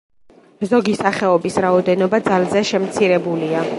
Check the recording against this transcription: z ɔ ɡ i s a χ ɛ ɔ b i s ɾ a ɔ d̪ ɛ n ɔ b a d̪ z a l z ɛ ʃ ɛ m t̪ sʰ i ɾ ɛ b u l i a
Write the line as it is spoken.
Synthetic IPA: z ɔ ɡ i s a χ ɛ ɔ b i s ɾ a ɔ d̪ ɛ n ɔ b a d̪ z a l z ɛ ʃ ɛ m t̪ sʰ i ɾ ɛ b u l i a